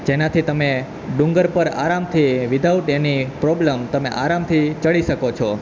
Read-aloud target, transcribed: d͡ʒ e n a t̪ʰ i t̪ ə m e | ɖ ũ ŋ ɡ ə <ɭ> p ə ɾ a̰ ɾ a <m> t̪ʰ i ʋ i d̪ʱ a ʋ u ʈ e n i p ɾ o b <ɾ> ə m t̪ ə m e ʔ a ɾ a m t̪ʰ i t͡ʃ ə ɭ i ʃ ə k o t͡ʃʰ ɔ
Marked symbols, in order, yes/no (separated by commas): no, yes, no